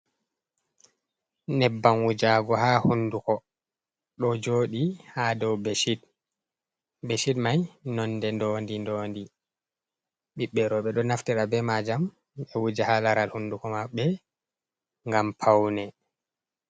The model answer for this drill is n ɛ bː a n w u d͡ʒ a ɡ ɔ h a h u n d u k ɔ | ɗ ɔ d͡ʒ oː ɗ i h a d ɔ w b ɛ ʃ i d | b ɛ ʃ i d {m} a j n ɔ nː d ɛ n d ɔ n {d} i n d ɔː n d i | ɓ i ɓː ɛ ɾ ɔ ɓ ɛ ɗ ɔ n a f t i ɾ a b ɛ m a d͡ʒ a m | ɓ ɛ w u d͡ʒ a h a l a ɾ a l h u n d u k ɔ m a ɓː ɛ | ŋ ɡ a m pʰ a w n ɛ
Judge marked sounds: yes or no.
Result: yes, yes

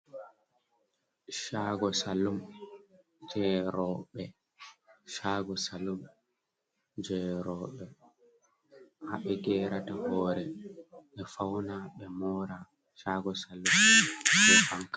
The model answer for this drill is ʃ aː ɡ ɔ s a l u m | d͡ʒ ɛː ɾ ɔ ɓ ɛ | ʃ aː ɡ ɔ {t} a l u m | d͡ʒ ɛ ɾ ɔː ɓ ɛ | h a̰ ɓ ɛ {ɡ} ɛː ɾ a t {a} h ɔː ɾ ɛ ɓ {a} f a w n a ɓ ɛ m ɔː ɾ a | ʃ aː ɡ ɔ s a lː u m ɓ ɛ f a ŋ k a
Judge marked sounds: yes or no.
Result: no, yes, yes, no

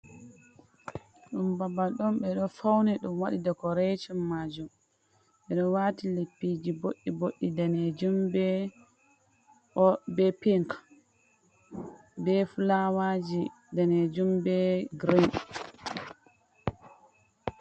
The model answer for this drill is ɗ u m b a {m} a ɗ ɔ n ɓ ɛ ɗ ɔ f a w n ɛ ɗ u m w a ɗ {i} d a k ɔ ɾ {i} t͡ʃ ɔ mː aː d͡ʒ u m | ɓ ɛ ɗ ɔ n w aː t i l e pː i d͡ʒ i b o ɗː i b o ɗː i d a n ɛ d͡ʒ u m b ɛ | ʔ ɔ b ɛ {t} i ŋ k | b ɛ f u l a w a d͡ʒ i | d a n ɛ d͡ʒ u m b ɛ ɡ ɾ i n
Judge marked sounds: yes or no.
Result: no, yes, no, no

